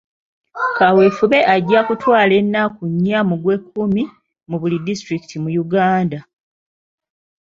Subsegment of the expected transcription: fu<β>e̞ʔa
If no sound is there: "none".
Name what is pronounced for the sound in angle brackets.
β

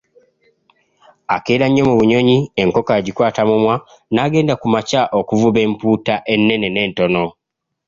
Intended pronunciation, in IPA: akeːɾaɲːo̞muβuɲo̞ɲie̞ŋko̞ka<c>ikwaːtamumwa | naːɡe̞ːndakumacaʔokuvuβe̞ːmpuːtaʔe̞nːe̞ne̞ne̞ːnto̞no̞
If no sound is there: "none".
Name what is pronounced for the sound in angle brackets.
ɟ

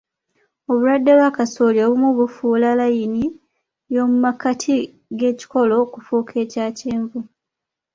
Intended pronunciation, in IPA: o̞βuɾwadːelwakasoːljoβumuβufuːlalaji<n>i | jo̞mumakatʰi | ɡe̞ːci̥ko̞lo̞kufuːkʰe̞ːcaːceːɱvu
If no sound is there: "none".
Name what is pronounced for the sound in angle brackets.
n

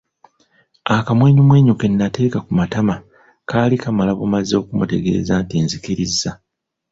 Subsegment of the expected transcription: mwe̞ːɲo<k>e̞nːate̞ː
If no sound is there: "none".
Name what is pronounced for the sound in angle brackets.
k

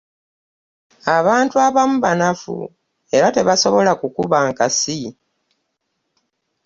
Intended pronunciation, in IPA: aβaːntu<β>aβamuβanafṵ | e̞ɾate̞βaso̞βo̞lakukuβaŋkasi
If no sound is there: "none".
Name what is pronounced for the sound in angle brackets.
none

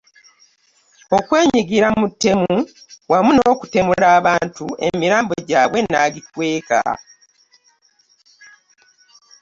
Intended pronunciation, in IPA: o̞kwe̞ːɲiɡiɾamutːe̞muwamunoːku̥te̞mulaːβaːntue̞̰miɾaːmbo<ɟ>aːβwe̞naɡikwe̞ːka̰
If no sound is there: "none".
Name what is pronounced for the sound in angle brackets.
ɟ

